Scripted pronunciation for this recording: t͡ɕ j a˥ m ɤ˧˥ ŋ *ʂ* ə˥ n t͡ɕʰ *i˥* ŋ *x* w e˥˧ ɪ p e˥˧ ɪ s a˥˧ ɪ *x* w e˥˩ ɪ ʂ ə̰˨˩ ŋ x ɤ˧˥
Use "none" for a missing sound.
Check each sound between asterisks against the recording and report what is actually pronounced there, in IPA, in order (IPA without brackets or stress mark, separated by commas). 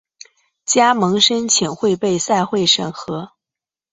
ʂ, i˨˩, x, x